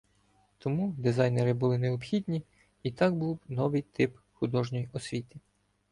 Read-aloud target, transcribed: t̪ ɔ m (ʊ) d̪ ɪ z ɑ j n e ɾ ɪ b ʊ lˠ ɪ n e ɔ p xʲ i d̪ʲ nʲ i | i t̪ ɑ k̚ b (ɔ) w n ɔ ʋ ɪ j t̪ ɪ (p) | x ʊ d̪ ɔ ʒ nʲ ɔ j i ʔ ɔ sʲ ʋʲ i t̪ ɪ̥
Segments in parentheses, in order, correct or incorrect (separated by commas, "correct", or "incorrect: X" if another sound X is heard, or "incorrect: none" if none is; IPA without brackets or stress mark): incorrect: u, incorrect: u, correct